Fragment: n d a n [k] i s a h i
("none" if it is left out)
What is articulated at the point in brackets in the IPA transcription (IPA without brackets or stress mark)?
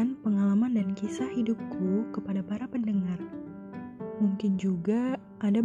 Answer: k